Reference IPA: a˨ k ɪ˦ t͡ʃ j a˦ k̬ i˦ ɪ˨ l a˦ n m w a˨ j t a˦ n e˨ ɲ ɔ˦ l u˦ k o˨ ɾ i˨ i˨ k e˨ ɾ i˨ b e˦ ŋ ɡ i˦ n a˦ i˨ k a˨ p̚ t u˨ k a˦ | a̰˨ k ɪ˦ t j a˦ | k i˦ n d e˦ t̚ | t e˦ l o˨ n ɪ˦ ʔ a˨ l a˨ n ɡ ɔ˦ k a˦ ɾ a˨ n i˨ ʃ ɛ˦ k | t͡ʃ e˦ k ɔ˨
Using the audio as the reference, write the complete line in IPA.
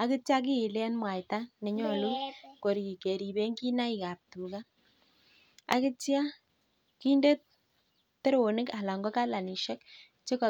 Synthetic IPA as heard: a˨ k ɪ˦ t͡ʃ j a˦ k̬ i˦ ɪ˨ l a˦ n m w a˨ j t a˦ n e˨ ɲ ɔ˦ l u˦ k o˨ ɾ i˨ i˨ k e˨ ɾ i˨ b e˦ ŋ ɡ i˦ n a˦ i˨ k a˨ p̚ t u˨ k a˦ | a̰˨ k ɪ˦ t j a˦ | k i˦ n d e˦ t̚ | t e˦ ɾ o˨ n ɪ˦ k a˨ l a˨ ŋ ɡ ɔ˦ k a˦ l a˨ n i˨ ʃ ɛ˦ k | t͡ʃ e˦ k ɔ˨